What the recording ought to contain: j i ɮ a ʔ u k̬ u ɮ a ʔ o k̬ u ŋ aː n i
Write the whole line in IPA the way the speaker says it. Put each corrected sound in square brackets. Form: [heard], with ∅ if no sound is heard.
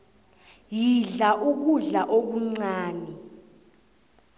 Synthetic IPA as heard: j i ɮ a ʔ u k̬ u ɮ a ʔ o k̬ u [ŋ͡ǀ] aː n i